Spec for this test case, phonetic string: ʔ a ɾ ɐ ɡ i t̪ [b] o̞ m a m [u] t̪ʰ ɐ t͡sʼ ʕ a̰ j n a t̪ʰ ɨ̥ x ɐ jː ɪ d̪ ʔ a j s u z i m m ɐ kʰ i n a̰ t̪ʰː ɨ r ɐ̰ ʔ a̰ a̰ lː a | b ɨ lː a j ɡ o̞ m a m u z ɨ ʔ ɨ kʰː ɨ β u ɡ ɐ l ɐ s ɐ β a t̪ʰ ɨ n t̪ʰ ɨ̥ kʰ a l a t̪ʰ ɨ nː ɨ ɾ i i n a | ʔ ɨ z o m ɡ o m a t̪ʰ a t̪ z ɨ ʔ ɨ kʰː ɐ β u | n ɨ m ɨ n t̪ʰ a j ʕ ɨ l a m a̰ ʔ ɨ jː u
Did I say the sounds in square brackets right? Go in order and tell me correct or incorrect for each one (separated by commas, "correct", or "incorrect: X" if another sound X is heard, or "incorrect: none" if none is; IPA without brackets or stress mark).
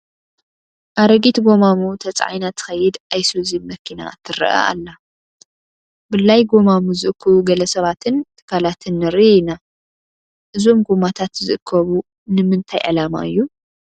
incorrect: ɡ, correct